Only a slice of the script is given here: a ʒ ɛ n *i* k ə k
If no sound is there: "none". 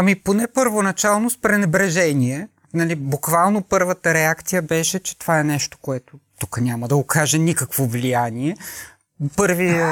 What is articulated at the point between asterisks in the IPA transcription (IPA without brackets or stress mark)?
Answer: i